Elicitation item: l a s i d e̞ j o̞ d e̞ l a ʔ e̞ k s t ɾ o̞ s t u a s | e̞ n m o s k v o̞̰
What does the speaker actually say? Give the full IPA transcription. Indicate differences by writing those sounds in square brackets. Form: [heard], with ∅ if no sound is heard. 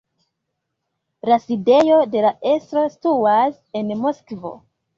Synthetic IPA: l a s i d e̞ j o̞ d e̞ l a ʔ e̞ [∅] s t ɾ o̞ s t u a s | e̞ n m o s k v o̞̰